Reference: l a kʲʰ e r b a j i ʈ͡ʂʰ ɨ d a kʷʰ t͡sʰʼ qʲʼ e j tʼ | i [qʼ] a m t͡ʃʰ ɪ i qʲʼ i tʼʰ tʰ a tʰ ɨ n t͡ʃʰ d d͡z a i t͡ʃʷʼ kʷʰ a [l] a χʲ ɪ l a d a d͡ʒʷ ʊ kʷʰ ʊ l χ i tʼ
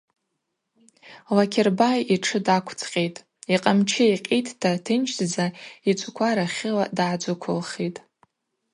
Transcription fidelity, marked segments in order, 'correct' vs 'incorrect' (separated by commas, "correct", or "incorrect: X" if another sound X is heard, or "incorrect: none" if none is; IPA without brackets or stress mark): correct, incorrect: ɾ